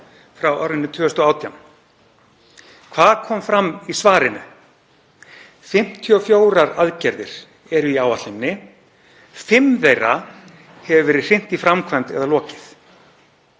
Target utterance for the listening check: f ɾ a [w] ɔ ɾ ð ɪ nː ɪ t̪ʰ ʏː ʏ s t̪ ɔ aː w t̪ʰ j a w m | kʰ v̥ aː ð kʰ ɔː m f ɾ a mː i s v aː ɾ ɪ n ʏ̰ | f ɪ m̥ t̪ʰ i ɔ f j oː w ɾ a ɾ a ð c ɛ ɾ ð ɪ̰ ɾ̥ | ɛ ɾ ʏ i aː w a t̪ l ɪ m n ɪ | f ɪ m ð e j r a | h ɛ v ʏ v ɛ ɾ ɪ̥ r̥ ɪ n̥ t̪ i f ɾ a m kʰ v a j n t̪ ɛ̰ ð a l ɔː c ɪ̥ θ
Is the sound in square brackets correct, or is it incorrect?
correct